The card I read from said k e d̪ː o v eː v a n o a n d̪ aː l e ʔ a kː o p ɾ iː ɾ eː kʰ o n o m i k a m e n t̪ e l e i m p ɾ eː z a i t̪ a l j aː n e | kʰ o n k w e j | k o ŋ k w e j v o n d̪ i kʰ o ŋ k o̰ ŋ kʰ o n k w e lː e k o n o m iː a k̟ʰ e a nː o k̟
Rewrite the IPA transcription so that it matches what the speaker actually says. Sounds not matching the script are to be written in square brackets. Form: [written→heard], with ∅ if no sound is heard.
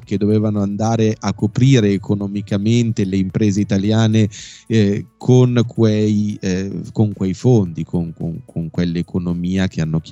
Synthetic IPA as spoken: k e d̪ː o v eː v a n o a n d̪ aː [l→ɾ] e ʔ a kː o p ɾ iː ɾ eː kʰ o n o m i k a m e n t̪ e l e i m p ɾ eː z [a→e] i t̪ a l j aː n e | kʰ o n k w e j | k o ŋ k w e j [v→f] o n d̪ i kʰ o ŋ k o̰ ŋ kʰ o [n→ŋ] k w e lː e k o n o m iː a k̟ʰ e a nː o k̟